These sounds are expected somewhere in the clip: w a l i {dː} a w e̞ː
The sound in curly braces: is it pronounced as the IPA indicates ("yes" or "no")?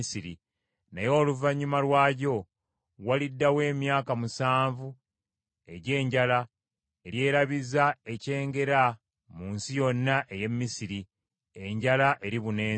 yes